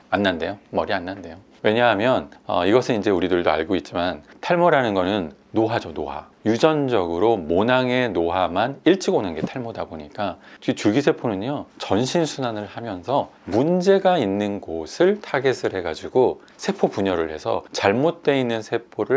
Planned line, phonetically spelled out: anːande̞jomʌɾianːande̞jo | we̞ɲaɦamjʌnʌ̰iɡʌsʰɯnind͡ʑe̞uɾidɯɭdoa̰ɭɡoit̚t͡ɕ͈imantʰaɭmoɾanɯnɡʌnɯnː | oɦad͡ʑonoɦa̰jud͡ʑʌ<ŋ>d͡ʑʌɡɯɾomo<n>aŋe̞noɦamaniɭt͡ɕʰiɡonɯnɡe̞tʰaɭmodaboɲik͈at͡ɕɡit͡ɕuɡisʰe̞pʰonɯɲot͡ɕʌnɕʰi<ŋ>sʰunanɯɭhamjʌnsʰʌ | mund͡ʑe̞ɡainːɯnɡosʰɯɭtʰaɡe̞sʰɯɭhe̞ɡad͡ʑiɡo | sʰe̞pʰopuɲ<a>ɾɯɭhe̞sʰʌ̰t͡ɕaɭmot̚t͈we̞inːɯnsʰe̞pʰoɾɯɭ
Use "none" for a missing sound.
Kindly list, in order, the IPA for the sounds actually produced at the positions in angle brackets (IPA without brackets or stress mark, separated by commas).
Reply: n, n, n, ʌ